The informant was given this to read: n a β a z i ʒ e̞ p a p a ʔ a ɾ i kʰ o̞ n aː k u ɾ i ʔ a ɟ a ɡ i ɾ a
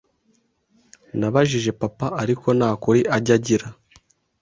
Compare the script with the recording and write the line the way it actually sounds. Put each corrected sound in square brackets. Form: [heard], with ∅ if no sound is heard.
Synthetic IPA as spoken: n a β a [ʒ] i ʒ e̞ p a p a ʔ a ɾ i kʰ o̞ n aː k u ɾ i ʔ a ɟ a [ɟ] i ɾ a